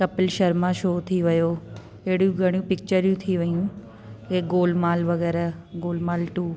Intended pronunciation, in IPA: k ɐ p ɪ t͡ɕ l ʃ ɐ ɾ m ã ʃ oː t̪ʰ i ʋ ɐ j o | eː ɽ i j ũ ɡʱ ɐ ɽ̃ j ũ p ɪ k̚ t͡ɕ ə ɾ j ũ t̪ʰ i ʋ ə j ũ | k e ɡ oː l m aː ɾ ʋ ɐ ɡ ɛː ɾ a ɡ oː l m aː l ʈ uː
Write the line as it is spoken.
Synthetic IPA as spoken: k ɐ p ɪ l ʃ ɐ ɾ m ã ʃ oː t̪ʰ i ʋ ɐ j o | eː ɽ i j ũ ɡʱ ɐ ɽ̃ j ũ p ɪ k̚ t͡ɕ ə ɾ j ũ t̪ʰ i ʋ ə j ũ | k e ɡ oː l m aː l ʋ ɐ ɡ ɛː ɾ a ɡ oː l m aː l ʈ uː